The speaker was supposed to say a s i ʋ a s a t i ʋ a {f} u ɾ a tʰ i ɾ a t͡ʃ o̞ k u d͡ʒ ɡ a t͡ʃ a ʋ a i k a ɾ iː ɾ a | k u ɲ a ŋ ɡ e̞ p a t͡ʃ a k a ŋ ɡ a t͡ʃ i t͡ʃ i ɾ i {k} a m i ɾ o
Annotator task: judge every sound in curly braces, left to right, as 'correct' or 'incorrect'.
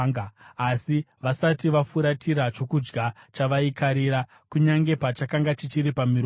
correct, incorrect

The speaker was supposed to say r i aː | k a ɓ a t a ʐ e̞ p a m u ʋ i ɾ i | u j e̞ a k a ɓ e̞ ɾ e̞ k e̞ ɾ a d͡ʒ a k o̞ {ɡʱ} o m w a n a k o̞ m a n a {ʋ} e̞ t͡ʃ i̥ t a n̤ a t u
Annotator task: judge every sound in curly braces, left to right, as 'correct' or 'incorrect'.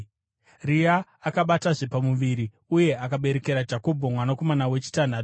incorrect, incorrect

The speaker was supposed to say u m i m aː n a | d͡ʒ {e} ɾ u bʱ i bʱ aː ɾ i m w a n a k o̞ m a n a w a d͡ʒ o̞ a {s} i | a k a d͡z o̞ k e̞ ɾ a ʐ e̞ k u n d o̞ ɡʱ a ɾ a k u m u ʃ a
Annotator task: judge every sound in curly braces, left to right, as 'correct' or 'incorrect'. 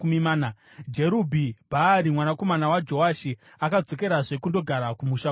correct, incorrect

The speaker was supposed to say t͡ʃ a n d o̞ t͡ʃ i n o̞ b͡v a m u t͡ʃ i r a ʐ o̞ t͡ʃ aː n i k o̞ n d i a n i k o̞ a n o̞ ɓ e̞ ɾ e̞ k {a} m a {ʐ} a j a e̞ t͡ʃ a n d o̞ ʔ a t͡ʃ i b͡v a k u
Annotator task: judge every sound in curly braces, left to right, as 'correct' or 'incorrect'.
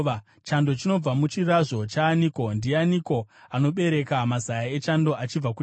correct, incorrect

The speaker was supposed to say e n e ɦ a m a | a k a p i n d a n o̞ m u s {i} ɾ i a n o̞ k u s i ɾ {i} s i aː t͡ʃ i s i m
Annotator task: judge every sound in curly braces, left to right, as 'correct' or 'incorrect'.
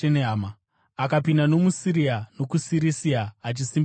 correct, correct

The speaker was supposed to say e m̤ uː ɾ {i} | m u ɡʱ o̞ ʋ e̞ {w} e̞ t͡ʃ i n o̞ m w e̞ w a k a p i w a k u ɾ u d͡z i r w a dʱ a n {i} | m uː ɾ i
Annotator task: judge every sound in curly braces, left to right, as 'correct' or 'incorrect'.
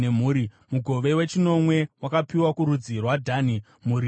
correct, correct, correct

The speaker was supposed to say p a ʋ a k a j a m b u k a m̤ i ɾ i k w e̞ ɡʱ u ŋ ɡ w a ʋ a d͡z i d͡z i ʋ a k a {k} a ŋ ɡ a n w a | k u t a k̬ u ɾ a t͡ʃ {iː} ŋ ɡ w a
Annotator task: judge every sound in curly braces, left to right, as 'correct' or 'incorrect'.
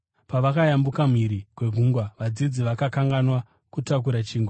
correct, correct

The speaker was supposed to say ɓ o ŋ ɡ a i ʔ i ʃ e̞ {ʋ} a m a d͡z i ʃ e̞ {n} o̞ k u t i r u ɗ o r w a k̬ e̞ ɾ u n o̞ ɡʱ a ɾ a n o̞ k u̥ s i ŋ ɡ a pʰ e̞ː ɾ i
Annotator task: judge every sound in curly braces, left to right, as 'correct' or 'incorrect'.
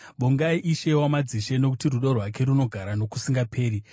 incorrect, correct

